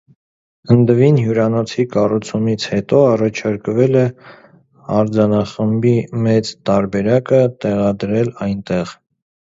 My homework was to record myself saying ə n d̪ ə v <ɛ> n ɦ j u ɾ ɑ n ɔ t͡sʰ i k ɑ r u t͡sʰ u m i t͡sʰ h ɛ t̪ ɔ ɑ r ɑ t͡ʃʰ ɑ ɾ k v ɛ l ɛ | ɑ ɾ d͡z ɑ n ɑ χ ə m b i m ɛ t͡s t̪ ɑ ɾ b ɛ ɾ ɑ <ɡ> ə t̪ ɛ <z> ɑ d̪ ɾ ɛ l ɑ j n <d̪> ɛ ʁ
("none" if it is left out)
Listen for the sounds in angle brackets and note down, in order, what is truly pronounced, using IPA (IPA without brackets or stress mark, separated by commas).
i, k, ʁ, t̪